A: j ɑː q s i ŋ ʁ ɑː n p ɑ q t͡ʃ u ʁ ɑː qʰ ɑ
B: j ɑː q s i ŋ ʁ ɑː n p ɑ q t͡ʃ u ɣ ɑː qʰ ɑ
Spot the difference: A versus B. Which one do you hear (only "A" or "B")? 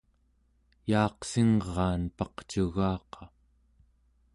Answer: B